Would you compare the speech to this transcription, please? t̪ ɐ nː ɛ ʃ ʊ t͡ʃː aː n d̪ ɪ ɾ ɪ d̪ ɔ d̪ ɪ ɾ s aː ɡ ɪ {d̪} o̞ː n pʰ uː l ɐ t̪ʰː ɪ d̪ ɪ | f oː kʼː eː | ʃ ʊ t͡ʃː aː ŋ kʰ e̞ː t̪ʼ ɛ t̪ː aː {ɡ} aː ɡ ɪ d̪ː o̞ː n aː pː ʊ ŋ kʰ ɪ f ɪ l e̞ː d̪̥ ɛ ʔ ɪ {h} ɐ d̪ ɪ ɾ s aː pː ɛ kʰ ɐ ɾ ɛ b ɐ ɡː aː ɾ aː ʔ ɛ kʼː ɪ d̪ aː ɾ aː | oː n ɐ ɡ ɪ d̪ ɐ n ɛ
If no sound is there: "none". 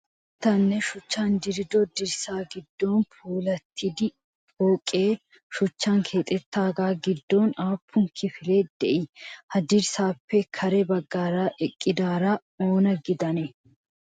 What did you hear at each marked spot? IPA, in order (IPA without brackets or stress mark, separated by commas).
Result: d̪ː, ɡ, h